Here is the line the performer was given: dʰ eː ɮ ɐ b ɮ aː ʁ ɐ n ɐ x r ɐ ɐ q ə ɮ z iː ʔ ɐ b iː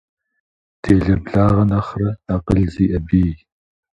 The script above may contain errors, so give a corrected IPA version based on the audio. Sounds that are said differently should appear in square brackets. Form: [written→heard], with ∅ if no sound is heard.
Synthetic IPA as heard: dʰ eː ɮ ɐ b ɮ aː ʁ ɐ n ɐ [x→χ] r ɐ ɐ q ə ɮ z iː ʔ ɐ b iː